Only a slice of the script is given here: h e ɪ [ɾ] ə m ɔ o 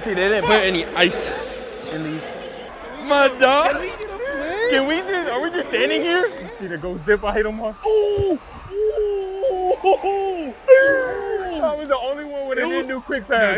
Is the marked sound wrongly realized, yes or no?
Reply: no